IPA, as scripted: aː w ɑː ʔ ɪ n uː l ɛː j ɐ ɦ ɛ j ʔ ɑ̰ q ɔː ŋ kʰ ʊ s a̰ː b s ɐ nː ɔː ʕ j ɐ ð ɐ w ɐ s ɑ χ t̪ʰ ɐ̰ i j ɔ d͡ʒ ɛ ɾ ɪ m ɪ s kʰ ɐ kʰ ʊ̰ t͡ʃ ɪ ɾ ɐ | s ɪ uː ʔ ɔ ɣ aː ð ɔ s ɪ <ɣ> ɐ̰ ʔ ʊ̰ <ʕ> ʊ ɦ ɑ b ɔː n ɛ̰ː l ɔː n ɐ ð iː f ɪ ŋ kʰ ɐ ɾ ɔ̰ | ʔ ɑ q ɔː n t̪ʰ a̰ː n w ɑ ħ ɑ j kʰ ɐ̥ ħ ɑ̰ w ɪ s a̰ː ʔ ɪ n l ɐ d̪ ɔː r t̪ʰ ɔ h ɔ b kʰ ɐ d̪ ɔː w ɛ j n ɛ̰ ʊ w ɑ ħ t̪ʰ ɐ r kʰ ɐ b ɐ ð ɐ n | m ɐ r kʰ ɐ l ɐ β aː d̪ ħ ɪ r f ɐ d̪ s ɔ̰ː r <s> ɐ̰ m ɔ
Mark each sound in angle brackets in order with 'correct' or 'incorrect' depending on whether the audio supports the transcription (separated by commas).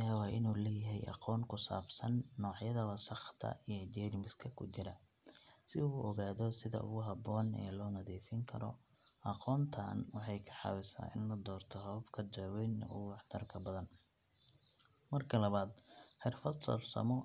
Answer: incorrect, incorrect, correct